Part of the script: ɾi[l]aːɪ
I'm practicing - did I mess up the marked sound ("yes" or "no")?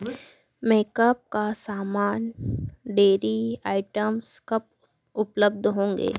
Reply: yes